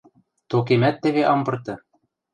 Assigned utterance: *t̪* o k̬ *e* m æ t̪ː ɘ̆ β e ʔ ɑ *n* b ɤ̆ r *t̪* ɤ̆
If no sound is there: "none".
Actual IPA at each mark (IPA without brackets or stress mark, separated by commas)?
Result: t̪, e, m, t̪